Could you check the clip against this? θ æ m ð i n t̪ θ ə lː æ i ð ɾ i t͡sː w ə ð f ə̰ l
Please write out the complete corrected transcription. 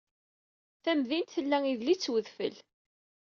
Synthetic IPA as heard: θ æ m ð i n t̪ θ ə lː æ i ð l i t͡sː w ə ð f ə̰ l